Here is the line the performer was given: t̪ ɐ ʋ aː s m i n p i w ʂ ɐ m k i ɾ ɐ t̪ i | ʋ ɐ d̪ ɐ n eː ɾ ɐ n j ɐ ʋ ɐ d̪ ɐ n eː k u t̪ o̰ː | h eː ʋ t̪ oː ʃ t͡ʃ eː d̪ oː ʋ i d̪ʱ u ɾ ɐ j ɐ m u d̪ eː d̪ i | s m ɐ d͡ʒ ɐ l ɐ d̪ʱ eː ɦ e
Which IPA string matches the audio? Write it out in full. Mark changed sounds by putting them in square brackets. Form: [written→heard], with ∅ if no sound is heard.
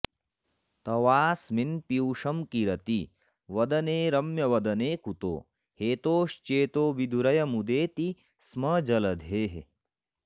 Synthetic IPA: t̪ ɐ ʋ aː s m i n p i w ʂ ɐ m k i ɾ ɐ t̪ i | ʋ ɐ d̪ ɐ n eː ɾ ɐ [n→m] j ɐ ʋ ɐ d̪ ɐ n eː k u t̪ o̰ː | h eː [ʋ→∅] t̪ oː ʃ t͡ʃ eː [d̪→t̪] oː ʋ i d̪ʱ u ɾ ɐ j ɐ m u d̪ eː [d̪→t̪] i | s m ɐ d͡ʒ ɐ l ɐ d̪ʱ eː ɦ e